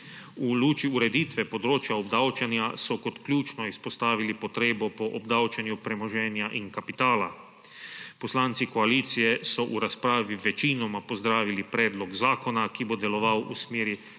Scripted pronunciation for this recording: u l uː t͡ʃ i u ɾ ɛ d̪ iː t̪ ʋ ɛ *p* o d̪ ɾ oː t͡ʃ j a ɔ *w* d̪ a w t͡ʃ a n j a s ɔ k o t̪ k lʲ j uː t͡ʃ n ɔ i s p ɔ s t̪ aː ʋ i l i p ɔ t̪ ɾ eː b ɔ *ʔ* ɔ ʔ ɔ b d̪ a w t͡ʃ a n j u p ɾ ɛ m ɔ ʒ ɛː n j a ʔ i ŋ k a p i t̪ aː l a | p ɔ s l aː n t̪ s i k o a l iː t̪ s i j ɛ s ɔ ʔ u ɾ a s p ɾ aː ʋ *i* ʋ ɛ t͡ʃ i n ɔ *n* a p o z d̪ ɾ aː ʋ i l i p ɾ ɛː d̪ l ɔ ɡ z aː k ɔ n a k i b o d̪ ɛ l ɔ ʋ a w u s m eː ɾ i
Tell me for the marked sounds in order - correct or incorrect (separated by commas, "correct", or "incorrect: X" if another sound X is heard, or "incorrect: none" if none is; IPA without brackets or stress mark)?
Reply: correct, incorrect: b, incorrect: p, correct, incorrect: m